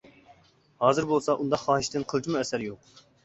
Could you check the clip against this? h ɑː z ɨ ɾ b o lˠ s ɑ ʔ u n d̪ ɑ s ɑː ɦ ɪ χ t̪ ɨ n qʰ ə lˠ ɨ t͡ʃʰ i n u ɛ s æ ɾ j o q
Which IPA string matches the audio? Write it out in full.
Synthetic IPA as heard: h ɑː z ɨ ɾ b o lˠ s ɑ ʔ u n d̪ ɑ χ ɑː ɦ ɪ ʃ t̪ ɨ n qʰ ə lˠ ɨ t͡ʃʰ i m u ɛ s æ ɾ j o q

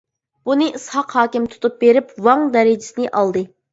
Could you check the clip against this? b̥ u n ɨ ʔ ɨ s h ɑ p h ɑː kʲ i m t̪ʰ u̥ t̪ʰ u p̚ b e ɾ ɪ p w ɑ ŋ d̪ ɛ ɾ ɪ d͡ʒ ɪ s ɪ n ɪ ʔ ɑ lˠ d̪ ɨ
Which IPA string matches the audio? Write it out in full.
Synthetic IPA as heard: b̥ u n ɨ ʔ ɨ s h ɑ q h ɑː kʲ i m t̪ʰ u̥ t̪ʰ u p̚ b e ɾ ɪ p w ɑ ŋ d̪ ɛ ɾ ɪ d͡ʒ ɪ s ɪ n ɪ ʔ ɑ lˠ d̪ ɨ

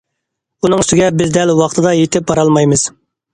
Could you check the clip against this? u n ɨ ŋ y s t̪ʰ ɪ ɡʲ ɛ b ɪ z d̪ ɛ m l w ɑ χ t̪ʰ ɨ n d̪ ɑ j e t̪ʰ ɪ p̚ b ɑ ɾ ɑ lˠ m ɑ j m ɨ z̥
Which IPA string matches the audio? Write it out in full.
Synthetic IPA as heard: u n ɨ ŋ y s t̪ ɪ ɡʲ ɛ b ɪ z d̪ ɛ l w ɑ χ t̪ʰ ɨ d̪ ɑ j e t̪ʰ ɪ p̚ b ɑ ɾ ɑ lˠ m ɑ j m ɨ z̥

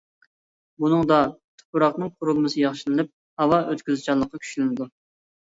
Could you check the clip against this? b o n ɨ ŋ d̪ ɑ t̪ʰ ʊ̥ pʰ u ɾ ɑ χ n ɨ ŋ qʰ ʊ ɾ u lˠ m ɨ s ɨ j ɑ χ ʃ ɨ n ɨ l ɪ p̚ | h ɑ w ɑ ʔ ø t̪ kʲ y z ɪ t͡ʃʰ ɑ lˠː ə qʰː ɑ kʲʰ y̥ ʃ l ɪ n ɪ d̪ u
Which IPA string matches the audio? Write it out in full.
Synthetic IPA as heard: b u n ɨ ŋ d̪ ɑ t̪ʰ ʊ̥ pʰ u ɾ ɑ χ n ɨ ŋ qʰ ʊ ɾ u lˠ m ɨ s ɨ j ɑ χ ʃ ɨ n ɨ l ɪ p̚ | h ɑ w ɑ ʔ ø t̪ kʲ y z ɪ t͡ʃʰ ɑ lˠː ə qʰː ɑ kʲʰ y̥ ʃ l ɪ n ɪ d̪ u

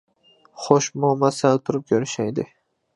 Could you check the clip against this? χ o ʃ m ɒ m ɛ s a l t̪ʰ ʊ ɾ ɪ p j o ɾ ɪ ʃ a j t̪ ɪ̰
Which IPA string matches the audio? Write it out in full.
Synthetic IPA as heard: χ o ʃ m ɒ m a s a l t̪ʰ ʊ ɾ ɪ p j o ɾ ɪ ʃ a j d̪ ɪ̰

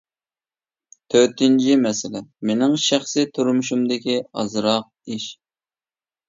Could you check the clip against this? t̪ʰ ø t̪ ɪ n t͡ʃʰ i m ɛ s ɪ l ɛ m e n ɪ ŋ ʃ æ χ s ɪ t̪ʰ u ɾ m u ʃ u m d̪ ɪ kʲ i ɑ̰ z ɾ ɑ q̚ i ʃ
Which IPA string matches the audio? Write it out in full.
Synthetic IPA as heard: t̪ʰ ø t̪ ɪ n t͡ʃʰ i m ɛ s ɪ l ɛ m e n ɪ ŋ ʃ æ χ s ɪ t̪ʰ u ɾ m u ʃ u m d̪ ɪ kʲ i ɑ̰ z ɾ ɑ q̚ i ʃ

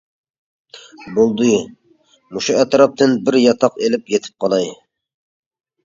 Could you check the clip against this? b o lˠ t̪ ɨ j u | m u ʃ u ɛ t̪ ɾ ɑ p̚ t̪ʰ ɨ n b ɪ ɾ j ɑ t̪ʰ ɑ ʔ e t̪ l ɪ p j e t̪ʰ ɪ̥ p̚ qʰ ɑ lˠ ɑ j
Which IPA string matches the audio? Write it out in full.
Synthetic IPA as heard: b o lˠ d̪ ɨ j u | m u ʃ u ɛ t̪ ɾ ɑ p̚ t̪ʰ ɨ n b ɪ ɾ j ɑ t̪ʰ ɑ q e l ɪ p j e t̪ʰ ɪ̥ p̚ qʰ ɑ lˠ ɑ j

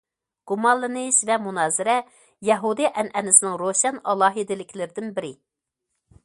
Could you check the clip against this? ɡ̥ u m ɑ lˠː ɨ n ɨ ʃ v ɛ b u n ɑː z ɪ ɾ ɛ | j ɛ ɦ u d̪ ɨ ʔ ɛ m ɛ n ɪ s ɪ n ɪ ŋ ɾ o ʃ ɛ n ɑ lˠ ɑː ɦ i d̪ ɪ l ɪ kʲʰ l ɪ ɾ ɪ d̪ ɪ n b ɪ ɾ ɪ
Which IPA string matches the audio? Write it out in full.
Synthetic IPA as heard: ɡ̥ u m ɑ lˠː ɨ n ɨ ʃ v ɛ m u n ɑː z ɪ ɾ ɛ | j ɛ ɦ u d̪ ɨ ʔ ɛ n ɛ n ɪ s ɪ n ɪ ŋ ɾ o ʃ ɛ n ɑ lˠ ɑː ɦ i d̪ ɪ l ɪ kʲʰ l ɪ ɾ ɪ d̪ ɪ n b ɪ ɾ ɪ

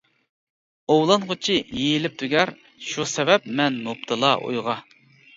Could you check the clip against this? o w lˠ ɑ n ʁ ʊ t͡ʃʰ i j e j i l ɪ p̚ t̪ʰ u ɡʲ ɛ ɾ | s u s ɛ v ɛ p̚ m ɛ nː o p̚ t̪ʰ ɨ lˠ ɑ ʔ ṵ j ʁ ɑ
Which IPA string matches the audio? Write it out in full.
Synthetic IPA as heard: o w lˠ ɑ n ʁ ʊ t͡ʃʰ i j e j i l ɪ p̚ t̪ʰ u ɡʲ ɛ ɾ | ʃ u s ɛ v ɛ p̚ m ɛ nː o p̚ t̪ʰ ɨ lˠ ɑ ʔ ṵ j ʁ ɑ

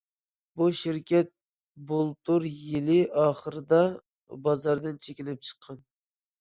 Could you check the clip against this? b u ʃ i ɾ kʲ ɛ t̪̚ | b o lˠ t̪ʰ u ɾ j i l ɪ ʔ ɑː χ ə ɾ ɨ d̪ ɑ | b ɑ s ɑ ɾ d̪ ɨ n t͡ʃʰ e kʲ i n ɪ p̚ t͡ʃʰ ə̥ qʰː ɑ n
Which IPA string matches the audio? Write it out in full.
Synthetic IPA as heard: b u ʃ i ɾ kʲ ɛ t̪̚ | b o lˠ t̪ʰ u ɾ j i l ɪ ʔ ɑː χ ə ɾ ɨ d̪ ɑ | b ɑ z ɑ ɾ d̪ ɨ n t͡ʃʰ e kʲ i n ɪ p̚ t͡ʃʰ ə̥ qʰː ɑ n

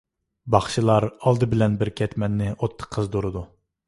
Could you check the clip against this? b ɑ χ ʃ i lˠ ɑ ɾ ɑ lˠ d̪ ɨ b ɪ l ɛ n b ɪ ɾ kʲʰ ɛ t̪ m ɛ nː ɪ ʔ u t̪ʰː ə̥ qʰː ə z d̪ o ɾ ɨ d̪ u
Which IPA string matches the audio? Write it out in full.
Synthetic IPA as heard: b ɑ χ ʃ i lˠ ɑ ɾ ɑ lˠ d̪ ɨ b ɪ l ɛ n b ɪ ɾ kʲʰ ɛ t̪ m ɛ nː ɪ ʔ o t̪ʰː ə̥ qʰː ə z d̪ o ɾ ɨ d̪ u

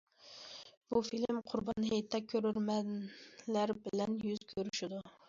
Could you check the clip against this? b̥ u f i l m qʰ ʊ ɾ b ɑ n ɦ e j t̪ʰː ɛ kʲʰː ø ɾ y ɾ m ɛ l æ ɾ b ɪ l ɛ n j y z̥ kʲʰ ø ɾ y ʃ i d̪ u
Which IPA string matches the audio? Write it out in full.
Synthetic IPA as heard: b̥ u f i l m qʰ ʊ ɾ b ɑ n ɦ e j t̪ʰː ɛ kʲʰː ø ɾ y ɾ m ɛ l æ ɾ b ɪ l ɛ n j y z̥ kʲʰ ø ɾ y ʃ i d̪ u

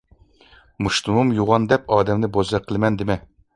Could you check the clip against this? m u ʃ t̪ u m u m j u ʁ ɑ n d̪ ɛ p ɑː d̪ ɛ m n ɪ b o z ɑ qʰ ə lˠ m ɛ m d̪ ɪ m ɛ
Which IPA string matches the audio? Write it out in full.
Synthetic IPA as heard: m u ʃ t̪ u m u m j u ʁ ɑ n d̪ ɛ p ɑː d̪ ɛ m n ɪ b o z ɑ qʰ ə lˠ m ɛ n d̪ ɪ m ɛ

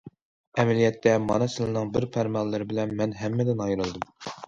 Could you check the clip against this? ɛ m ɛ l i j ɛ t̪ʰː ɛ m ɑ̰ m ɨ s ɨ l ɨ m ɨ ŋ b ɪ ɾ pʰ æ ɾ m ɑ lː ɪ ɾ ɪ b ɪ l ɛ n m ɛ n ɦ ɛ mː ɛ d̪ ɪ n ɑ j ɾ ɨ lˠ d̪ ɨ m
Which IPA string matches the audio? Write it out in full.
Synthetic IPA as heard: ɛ m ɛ l i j ɛ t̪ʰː ɛ m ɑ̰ n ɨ s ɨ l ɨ n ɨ ŋ b ɪ ɾ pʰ æ ɾ m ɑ lː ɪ ɾ ɪ b ɪ l ɛ n m ɛ n ɦ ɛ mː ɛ d̪ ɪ n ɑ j ɾ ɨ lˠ d̪ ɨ m

